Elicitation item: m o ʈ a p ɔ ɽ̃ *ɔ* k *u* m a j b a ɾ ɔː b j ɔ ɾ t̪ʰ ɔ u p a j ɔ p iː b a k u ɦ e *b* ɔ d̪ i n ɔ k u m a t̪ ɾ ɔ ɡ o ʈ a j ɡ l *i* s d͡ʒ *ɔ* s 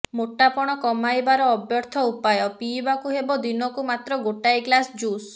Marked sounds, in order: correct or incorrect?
correct, incorrect: ɔ, correct, incorrect: a, incorrect: u

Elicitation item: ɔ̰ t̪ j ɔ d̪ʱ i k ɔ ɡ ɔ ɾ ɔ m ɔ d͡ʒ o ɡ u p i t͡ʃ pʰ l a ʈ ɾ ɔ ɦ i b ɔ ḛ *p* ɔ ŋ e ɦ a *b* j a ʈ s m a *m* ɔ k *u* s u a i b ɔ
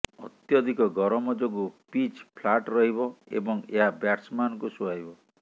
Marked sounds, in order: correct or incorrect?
incorrect: b, correct, incorrect: n, correct

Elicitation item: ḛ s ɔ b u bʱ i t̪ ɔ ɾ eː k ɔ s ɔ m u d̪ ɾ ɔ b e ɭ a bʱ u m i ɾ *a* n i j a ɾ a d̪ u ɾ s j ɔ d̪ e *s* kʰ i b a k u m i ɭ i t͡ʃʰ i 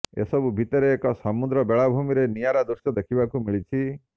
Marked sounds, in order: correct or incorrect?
incorrect: e, incorrect: none

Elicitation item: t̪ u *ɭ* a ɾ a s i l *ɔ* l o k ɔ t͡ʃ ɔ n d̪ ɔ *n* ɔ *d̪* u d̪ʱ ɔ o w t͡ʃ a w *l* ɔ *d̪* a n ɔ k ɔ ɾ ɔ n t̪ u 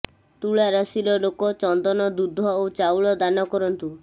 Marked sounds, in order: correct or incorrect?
correct, correct, correct, correct, incorrect: ɭ, correct

